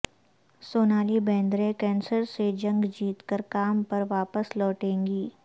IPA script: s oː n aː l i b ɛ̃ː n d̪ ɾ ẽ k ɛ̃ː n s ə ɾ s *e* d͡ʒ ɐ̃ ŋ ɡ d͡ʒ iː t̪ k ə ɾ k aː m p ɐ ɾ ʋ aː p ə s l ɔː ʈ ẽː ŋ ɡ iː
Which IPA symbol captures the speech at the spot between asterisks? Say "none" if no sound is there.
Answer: e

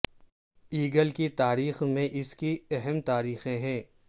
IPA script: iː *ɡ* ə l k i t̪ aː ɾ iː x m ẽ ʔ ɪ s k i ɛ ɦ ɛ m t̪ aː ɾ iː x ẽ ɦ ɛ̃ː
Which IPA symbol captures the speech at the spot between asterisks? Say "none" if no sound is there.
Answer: ɡ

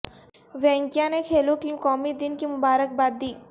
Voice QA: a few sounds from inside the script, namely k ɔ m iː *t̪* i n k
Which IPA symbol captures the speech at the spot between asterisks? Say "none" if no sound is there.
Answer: d̪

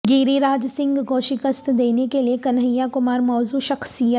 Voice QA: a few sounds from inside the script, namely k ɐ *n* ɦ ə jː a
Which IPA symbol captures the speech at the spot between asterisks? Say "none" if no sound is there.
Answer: n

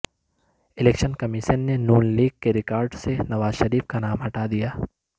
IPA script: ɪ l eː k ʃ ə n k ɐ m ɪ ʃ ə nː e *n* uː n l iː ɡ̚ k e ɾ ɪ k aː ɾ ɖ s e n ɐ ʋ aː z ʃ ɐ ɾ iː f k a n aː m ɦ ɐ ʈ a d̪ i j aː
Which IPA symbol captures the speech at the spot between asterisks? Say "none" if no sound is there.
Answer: n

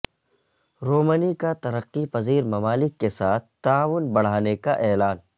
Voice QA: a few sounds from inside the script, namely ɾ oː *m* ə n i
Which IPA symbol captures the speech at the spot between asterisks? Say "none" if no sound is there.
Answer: m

